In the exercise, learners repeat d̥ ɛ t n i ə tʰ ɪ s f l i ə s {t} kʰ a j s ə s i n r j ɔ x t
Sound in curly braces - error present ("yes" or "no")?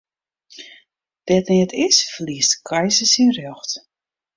no